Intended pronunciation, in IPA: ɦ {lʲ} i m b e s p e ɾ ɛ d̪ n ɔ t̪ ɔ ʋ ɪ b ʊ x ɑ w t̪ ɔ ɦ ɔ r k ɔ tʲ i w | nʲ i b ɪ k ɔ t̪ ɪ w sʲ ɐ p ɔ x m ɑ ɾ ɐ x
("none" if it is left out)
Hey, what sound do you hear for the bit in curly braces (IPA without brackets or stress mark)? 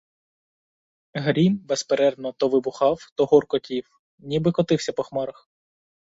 ɾʲ